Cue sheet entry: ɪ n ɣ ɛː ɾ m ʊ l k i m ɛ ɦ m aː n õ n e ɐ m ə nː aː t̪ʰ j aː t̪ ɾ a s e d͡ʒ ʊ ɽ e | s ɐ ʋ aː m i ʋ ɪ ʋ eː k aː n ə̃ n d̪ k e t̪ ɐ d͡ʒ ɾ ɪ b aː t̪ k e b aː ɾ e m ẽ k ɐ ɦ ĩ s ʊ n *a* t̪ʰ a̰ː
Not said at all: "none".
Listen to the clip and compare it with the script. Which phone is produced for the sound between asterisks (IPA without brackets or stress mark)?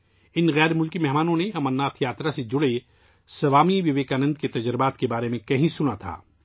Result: a